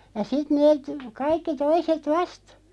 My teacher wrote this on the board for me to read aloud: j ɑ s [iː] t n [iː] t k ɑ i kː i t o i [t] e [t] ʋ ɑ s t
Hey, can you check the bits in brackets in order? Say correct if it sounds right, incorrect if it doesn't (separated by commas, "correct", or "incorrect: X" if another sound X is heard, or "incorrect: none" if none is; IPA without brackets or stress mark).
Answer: incorrect: i, incorrect: eː, incorrect: s, correct